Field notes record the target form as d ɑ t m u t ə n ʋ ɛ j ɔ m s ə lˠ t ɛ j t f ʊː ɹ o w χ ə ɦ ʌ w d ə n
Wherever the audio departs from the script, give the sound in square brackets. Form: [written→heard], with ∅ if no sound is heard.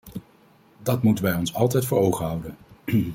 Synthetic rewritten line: d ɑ t m u t ə n ʋ ɛ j ɔ [m→n] s [ə→ɑ] lˠ t ɛ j t f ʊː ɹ o w χ ə ɦ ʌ w d ə n